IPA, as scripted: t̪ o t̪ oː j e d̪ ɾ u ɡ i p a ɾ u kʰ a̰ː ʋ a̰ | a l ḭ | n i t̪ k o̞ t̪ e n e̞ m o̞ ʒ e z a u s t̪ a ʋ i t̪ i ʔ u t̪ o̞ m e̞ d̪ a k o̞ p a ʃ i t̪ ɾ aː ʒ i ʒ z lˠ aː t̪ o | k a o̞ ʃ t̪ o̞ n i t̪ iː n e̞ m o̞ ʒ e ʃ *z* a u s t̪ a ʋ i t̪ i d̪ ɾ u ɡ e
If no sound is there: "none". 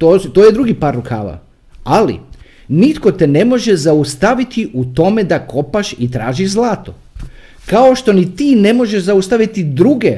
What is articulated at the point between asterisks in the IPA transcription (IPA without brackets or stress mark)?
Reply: z